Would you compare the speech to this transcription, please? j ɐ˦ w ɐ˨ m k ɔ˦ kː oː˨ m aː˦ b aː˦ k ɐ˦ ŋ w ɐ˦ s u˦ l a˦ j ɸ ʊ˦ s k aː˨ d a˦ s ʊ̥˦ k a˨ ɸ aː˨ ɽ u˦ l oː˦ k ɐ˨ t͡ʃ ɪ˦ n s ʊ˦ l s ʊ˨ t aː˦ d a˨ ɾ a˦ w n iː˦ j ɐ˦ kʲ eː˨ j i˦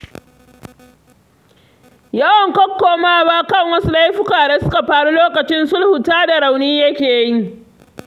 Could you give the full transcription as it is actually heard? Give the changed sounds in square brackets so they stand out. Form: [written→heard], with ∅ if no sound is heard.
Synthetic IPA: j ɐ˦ w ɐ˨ [m→ŋ] k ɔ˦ kː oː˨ m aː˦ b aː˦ k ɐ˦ ŋ w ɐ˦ s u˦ l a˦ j ɸ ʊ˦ [s→∅] k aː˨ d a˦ s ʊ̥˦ k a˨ ɸ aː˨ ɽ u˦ l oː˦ k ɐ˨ t͡ʃ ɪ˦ n s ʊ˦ l [s→h] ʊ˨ t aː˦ d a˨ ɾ [a˦→a˨] w n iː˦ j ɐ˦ kʲ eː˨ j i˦